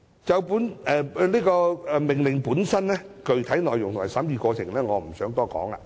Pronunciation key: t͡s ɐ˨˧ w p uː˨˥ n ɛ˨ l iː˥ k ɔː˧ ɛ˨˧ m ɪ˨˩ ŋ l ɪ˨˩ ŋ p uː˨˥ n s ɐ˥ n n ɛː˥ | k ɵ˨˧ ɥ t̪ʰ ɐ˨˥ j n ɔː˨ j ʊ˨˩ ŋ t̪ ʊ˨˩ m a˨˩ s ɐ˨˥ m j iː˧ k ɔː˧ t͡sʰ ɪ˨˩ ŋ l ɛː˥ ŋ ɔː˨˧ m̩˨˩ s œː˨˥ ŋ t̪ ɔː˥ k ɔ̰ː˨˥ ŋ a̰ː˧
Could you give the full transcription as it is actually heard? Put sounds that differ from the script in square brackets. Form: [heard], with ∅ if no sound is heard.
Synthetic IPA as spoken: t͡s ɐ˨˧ w p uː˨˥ n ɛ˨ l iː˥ k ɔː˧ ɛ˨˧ m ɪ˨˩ ŋ l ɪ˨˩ ŋ p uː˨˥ n s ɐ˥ n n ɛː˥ | k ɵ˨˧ ɥ t̪ʰ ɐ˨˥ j n ɔː˨ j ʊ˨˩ ŋ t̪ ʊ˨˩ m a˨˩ s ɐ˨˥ m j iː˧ k ɔː˧ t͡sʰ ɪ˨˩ ŋ l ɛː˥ ŋ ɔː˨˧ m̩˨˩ s œː˨˥ ŋ t̪ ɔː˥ k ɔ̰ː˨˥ ŋ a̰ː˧